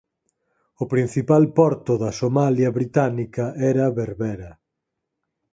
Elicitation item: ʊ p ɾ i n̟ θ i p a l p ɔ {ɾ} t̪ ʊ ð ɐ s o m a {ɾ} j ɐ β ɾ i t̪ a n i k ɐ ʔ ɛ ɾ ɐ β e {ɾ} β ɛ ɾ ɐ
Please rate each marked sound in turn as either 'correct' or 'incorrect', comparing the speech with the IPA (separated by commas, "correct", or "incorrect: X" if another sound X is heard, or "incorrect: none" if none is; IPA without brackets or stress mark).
correct, incorrect: l, correct